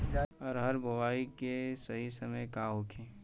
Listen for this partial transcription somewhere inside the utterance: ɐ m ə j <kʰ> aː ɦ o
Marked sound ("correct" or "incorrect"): incorrect